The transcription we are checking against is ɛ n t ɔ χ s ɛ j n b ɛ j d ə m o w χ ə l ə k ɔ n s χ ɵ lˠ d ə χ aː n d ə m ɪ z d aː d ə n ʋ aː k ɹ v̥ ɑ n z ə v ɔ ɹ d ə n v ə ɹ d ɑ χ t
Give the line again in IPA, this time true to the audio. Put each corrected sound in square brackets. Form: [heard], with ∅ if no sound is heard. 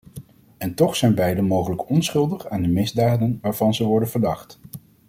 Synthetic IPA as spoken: ɛ n t ɔ χ s ɛ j n b ɛ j d ə m o w χ ə l ə k ɔ n s χ ɵ lˠ d ə χ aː n d ə m ɪ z d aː d ə n ʋ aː [∅] ɹ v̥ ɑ n z ə [ʋ] ɔ ɹ d ə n v ə ɹ d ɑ χ t